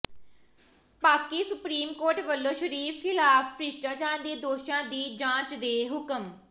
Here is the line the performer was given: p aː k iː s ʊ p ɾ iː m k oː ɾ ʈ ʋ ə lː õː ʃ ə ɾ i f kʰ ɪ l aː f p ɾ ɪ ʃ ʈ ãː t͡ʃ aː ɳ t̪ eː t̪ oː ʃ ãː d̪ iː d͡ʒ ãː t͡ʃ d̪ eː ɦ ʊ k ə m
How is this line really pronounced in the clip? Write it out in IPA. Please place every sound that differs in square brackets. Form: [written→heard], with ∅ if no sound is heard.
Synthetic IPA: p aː k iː s ʊ p ɾ iː m k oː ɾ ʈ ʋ ə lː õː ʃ ə ɾ [i→iː] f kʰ ɪ l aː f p ɾ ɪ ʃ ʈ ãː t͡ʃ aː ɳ [t̪→d̪] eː [t̪→d̪] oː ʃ ãː d̪ iː d͡ʒ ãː t͡ʃ d̪ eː ɦ ʊ k ə m